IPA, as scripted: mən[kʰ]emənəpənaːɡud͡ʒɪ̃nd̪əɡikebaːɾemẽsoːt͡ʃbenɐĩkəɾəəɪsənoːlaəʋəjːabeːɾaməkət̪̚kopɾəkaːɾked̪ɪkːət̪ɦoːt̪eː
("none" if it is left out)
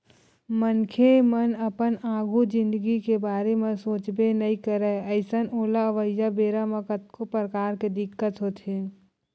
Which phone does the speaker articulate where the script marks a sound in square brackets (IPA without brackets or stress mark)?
kʰ